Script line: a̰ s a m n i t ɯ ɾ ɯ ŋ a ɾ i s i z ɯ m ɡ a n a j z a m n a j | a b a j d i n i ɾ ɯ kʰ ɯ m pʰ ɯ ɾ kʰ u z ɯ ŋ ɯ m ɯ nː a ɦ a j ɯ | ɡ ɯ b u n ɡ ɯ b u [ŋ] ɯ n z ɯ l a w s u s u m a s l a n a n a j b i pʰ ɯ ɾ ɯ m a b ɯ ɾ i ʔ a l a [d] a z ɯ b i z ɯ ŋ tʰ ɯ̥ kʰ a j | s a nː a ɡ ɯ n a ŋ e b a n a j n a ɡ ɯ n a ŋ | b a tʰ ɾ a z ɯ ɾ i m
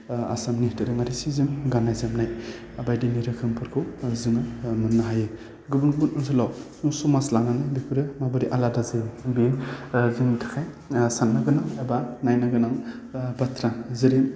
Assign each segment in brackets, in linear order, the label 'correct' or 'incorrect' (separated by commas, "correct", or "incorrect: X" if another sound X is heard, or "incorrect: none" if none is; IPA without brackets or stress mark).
incorrect: n, correct